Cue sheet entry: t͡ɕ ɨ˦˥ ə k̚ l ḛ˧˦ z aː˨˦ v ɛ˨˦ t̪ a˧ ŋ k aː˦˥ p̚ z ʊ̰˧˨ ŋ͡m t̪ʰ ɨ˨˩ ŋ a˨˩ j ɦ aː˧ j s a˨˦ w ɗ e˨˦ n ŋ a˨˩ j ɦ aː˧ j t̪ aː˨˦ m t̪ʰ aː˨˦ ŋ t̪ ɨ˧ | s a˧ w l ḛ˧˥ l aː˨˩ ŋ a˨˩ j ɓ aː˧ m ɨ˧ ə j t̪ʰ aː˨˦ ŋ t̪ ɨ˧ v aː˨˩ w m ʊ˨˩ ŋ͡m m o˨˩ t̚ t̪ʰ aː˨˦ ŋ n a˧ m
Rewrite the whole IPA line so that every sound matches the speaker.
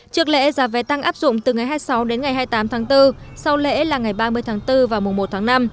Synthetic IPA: t͡ɕ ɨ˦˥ ə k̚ l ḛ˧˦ z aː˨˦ v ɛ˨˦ t̪ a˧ ŋ ʔ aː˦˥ p̚ z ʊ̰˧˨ ŋ͡m t̪ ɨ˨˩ ŋ a˨˩ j ɦ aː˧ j s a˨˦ w ɗ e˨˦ n ŋ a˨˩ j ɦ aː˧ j t̪ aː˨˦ m t̪ʰ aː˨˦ ŋ t̪ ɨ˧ | s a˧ w l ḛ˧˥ l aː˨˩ ŋ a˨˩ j ɓ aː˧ m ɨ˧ ə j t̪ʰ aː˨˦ ŋ t̪ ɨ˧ v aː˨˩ w m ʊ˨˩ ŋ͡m m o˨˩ t̚ t̪ʰ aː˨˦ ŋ n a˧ m